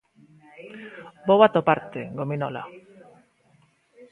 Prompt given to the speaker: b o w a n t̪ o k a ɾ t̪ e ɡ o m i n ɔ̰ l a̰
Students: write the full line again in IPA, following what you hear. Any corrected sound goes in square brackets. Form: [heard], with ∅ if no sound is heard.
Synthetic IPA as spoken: b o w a [∅] t̪ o [p] a ɾ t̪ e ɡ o m i n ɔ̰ l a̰